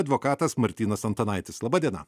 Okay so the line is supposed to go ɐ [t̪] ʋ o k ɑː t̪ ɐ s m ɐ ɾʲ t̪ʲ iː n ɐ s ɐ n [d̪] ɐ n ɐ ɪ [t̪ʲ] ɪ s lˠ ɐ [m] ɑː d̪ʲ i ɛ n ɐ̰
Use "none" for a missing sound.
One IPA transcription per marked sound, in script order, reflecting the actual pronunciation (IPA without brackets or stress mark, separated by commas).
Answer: d̪, t̪, t̪ʲ, b